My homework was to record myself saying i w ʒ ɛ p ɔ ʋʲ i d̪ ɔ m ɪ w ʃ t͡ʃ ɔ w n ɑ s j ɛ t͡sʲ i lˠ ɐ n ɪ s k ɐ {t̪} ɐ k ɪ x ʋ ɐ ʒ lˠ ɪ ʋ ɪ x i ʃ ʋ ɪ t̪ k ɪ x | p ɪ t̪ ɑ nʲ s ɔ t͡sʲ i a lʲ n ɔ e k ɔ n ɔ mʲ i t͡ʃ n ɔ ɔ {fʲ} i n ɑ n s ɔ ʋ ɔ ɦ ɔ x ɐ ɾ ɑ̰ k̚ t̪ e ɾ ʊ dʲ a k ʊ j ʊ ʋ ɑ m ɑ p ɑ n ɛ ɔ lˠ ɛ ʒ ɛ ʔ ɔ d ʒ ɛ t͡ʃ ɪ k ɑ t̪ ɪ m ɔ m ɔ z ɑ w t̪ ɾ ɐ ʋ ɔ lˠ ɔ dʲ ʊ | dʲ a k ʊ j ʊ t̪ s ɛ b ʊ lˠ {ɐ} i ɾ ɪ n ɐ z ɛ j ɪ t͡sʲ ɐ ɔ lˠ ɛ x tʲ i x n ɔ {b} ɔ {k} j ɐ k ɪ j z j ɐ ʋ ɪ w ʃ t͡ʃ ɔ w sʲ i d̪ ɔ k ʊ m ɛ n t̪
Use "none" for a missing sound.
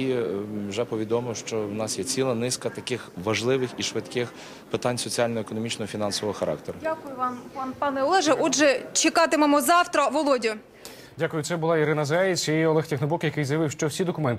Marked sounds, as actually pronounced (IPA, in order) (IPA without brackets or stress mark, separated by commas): t̪, fʲ, ɑ, b, k